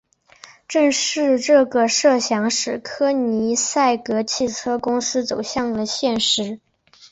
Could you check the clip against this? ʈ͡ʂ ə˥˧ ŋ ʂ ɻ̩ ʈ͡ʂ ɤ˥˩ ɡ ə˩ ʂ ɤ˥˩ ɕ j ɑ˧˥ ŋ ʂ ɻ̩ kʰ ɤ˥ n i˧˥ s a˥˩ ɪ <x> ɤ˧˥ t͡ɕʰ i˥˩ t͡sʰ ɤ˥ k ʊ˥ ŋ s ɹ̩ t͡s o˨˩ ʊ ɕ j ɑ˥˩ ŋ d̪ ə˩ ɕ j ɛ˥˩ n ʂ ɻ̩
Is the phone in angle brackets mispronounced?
yes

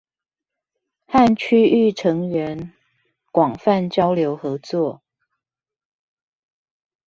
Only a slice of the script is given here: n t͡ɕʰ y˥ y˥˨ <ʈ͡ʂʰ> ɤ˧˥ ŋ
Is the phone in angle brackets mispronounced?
no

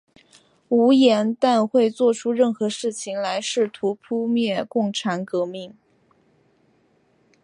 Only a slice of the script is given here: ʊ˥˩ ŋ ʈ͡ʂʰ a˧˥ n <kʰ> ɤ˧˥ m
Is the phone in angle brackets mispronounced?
yes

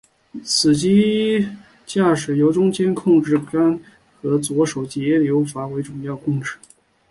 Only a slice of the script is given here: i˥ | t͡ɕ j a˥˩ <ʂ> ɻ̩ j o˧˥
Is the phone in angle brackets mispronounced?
no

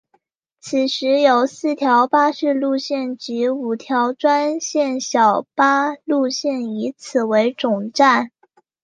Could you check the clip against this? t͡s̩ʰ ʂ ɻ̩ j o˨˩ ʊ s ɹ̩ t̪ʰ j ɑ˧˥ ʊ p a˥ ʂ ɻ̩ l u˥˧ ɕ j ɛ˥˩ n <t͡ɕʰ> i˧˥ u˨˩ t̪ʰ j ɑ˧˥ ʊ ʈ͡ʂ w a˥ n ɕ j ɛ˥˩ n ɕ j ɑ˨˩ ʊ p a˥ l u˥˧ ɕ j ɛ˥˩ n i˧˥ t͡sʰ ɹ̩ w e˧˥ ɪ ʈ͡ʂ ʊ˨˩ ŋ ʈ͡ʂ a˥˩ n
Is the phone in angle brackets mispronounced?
yes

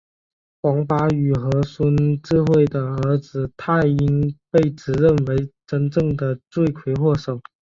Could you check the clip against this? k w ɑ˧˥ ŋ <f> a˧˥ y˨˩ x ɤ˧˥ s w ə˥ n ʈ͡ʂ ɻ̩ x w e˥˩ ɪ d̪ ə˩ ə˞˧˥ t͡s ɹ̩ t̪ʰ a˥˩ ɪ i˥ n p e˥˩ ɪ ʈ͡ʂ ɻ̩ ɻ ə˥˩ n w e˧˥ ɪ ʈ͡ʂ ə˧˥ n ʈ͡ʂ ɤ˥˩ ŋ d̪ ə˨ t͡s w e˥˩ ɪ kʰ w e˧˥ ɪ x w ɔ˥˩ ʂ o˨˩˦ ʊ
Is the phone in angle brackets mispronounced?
no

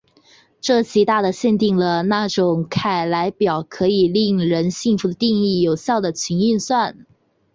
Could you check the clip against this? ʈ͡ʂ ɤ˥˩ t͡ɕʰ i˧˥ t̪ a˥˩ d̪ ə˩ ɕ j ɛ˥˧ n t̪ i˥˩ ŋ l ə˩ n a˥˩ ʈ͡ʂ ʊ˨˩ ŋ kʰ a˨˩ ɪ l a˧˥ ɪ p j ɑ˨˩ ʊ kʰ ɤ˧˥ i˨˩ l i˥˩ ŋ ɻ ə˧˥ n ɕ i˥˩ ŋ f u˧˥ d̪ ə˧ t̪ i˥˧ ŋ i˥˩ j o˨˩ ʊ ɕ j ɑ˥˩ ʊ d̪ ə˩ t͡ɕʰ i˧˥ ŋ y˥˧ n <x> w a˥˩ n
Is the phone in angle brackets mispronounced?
yes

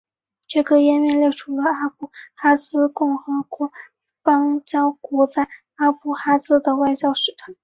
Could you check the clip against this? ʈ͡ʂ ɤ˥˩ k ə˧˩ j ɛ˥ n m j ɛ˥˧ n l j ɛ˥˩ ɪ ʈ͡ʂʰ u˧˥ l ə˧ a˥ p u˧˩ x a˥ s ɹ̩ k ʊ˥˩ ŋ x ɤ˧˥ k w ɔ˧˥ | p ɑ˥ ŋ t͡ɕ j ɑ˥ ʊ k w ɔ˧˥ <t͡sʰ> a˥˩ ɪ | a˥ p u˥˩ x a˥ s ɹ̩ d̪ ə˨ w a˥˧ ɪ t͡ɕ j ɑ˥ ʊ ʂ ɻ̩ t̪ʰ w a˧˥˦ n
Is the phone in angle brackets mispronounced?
yes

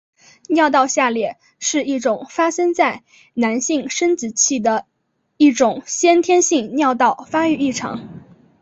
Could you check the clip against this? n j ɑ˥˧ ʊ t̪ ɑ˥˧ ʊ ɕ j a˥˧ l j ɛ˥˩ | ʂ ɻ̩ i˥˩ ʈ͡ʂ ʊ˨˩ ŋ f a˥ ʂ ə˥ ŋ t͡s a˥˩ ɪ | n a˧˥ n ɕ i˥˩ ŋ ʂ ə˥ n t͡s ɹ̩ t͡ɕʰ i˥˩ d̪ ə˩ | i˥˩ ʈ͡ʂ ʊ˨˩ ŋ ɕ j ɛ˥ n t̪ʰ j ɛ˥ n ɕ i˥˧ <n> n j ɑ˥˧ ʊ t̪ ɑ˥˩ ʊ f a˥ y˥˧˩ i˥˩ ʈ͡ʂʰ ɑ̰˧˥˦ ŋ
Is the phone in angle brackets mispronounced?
yes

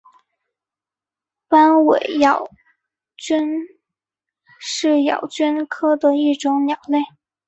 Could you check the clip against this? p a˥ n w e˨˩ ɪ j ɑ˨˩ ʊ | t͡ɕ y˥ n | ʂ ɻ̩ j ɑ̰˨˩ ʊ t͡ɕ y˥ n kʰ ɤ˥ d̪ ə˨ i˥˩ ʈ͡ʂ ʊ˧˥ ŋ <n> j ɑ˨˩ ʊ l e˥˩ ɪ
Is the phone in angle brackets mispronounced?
no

